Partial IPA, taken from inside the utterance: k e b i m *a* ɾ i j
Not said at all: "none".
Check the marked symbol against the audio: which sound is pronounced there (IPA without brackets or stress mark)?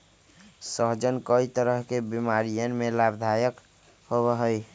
a